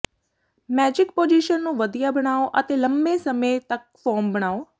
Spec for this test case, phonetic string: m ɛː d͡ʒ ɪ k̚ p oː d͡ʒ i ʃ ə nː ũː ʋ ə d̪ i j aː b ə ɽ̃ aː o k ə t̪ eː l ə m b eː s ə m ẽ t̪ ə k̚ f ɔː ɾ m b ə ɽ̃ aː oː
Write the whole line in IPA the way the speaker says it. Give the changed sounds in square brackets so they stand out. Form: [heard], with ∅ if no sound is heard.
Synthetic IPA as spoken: m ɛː d͡ʒ ɪ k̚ p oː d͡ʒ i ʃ ə nː ũː ʋ ə d̪ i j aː b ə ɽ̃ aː o [ʔ] ə t̪ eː l ə m b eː s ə m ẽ t̪ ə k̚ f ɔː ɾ m b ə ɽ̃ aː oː